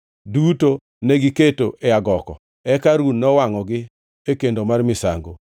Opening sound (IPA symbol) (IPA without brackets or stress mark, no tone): d